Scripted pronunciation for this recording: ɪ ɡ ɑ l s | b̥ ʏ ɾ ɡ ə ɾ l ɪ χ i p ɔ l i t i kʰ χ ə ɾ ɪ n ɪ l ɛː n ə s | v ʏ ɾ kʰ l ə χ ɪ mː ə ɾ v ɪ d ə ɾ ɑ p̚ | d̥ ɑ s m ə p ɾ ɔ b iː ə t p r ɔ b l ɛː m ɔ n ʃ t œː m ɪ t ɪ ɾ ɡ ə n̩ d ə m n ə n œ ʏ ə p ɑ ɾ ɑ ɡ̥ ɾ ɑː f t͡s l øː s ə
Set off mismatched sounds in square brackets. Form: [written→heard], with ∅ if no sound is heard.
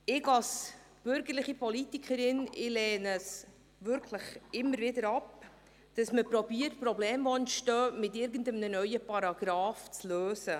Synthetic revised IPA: ɪ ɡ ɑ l s | b̥ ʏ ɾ ɡ ə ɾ l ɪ χ i p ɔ l i t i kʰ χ ə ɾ ɪ n ɪ l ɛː n ə s | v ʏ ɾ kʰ l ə χ ɪ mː ə ɾ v ɪ d ə ɾ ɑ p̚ | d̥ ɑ s m ə p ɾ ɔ b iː ə t p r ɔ b l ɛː m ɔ n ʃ t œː m ɪ t ɪ ɾ ɡ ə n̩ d ə m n ə n œ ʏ ə p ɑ ɾ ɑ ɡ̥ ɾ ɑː f t͡s l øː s ə